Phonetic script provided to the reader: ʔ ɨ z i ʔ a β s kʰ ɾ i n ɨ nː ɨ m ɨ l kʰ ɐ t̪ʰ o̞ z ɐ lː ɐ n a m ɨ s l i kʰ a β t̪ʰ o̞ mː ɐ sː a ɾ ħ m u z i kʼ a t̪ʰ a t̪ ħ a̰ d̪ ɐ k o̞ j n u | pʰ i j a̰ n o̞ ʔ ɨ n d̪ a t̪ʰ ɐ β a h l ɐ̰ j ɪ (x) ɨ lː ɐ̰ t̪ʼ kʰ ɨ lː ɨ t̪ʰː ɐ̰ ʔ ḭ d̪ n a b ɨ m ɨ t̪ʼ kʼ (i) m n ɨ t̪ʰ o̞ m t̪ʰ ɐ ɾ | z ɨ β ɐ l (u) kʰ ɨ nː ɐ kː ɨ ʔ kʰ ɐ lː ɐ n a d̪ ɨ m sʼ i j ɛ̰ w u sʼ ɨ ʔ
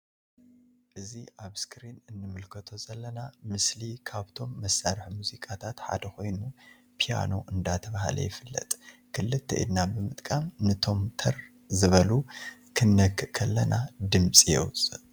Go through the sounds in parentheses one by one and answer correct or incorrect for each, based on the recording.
incorrect, incorrect, correct

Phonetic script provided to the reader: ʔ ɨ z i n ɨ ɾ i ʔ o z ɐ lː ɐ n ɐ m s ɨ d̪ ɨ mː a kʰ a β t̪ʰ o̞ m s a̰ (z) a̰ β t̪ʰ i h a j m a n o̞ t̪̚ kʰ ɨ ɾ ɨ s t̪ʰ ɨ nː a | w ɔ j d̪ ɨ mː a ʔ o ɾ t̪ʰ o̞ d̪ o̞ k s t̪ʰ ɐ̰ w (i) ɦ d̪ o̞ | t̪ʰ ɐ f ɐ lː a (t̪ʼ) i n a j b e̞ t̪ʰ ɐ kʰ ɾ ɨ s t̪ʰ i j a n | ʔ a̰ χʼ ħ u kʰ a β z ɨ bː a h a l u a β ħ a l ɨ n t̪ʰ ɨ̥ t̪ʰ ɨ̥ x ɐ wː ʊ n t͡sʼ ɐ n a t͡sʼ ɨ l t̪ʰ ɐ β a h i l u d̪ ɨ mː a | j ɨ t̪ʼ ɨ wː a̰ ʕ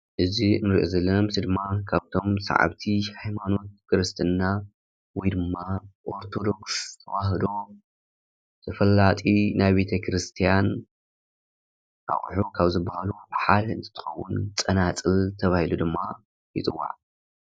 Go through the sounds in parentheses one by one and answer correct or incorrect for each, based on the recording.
incorrect, incorrect, correct

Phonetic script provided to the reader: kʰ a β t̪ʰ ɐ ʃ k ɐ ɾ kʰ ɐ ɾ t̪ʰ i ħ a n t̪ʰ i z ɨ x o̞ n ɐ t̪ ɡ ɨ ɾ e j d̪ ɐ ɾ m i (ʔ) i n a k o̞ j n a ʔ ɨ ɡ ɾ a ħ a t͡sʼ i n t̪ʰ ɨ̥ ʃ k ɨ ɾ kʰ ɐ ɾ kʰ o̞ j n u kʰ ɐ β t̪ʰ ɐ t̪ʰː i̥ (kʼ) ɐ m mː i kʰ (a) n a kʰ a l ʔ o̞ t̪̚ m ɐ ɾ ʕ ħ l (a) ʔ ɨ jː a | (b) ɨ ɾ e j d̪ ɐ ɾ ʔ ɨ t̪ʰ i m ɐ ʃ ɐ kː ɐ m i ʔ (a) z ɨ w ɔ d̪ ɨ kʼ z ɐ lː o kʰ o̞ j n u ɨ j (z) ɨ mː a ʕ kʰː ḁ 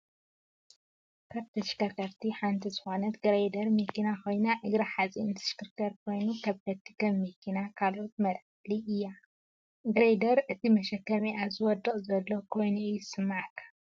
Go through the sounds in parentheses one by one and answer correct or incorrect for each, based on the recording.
incorrect, incorrect, incorrect, incorrect, incorrect, correct, incorrect

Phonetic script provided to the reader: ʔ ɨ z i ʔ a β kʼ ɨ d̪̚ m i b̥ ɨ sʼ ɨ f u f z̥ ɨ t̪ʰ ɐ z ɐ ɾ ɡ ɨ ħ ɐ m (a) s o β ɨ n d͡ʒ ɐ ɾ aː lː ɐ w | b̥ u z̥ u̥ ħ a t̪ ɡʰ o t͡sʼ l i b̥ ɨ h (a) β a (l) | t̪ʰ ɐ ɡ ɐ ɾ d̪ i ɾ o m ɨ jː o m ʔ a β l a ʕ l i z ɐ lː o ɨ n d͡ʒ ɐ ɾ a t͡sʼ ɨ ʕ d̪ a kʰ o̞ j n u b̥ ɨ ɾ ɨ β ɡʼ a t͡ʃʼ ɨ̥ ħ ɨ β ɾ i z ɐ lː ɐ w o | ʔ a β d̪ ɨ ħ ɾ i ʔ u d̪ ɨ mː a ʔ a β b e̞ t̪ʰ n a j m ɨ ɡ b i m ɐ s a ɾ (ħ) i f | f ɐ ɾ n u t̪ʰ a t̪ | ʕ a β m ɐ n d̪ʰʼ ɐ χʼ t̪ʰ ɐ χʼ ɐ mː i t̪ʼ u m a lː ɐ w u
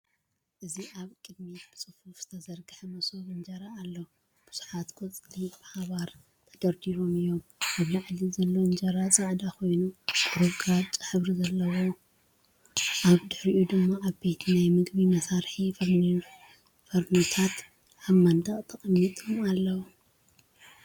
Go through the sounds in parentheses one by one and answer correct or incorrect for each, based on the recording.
incorrect, correct, incorrect, correct

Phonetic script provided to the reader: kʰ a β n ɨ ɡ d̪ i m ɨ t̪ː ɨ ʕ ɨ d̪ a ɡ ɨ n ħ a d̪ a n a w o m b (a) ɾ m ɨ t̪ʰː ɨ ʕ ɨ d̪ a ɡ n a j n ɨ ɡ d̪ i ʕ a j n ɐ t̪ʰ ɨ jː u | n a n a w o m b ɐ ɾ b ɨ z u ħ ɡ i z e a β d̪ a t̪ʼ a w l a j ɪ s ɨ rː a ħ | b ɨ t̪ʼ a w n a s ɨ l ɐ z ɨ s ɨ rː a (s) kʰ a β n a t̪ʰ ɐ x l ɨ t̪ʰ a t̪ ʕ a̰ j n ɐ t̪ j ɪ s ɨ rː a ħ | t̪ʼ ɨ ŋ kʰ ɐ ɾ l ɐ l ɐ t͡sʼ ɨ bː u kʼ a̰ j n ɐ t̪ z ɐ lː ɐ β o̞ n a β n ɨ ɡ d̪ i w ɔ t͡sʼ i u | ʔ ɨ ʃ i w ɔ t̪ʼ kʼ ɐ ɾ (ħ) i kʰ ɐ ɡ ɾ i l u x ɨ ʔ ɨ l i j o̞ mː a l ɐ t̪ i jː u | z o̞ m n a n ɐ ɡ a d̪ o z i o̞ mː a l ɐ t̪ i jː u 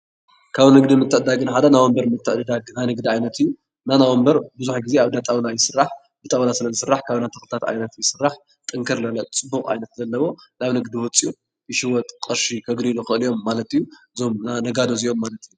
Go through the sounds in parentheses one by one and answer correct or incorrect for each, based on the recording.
incorrect, incorrect, incorrect

